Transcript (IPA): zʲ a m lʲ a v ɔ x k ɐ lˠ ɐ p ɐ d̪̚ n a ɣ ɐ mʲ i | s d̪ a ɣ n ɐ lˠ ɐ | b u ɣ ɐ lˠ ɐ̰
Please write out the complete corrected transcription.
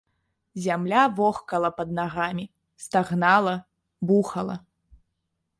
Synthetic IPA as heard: zʲ a m lʲ a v ɔ x k ɐ lˠ ɐ p ɐ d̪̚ n a ɣ a mʲ i | s t̪ a ɣ n a lˠ ɐ | b u x ɐ lˠ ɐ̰